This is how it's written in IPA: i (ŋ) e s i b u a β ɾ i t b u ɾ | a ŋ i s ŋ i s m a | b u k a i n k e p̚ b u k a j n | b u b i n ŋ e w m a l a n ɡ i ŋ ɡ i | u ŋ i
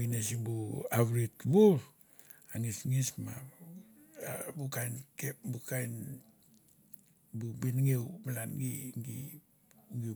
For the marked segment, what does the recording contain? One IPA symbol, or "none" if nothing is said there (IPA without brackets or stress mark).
n